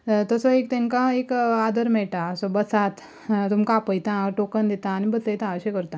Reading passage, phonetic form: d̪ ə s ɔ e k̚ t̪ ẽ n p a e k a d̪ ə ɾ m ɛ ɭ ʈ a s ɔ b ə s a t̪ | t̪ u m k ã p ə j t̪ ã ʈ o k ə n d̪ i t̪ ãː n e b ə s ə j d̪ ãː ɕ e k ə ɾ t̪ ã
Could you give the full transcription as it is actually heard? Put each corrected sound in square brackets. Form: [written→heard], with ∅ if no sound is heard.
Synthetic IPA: [d̪→t̪] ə s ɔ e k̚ t̪ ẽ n [p→k] a e k a d̪ ə ɾ m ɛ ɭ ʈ a s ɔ b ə s a t̪ | t̪ u m k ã p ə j t̪ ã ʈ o k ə n d̪ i t̪ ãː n [e→i] b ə s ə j [d̪→t̪] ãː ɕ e k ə ɾ t̪ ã